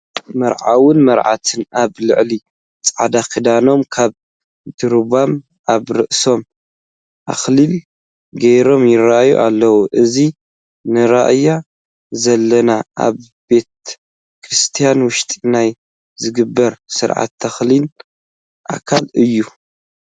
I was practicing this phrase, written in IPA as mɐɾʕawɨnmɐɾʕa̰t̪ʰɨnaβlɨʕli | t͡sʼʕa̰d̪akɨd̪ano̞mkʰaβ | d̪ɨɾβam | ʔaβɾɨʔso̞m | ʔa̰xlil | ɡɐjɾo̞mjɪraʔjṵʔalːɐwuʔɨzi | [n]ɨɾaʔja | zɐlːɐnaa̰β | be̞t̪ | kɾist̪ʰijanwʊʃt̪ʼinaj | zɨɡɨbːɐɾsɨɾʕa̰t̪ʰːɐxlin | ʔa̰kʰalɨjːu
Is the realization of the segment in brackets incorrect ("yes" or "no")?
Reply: no